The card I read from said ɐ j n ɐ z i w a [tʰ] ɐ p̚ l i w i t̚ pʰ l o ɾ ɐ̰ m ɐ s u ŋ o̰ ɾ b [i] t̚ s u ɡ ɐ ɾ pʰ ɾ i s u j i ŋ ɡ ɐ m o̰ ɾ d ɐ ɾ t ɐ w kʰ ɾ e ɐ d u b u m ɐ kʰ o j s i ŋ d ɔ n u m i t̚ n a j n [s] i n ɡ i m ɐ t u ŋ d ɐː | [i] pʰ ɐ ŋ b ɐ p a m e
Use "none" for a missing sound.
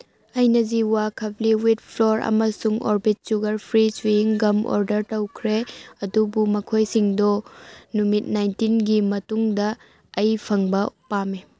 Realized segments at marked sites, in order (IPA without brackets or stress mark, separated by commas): kʰ, i, t, j